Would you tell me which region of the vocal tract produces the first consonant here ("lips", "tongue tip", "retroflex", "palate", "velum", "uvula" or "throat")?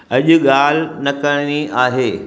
palate